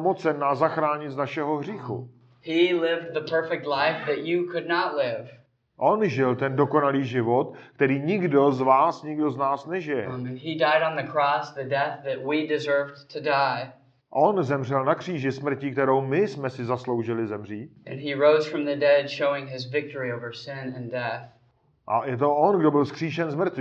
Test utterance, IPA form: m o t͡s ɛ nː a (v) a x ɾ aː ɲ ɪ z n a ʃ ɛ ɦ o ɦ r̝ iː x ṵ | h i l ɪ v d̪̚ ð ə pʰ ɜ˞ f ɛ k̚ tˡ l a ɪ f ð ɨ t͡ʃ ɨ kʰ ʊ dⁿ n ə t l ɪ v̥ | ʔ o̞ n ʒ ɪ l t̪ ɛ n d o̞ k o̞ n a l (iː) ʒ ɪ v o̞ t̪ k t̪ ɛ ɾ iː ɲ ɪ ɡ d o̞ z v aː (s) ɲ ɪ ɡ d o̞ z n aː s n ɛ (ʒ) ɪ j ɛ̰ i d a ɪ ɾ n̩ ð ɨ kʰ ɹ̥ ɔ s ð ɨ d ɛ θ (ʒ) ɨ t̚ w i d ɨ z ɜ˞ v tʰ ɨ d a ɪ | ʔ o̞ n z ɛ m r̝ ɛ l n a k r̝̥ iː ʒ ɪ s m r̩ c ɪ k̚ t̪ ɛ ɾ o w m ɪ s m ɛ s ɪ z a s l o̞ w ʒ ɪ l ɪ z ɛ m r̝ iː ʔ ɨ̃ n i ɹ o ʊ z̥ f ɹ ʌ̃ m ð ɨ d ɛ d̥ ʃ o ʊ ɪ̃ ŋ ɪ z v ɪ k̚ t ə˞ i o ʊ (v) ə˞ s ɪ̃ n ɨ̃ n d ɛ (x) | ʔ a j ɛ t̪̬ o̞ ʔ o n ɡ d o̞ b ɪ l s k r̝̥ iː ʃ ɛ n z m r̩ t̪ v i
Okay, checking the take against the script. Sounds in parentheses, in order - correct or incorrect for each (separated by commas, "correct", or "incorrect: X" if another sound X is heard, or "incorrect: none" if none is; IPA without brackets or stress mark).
incorrect: z, correct, correct, correct, incorrect: ð, correct, incorrect: θ